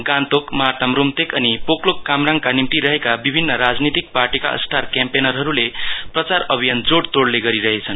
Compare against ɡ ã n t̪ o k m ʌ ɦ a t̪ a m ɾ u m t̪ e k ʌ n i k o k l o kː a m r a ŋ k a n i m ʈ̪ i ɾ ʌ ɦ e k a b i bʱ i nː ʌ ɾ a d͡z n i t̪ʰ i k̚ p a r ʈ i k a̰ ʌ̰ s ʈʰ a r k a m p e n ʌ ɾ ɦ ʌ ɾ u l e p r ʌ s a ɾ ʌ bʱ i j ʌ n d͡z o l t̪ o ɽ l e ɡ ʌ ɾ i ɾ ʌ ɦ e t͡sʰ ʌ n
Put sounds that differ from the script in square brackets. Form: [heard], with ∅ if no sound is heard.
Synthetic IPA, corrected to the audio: ɡ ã n t̪ o k m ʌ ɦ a t̪ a m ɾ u m t̪ e k ʌ n i [p] o k l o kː a m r a ŋ k a n i m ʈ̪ i ɾ ʌ ɦ e k a b i bʱ i nː ʌ ɾ a d͡z n i [t̪] i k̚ p a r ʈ i k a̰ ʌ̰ s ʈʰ a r k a m p e n ʌ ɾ ɦ ʌ ɾ u l e p r ʌ [t͡s] a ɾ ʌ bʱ i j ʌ n d͡z o [ɽ] t̪ o ɽ l e ɡ ʌ ɾ i ɾ ʌ ɦ e t͡sʰ ʌ n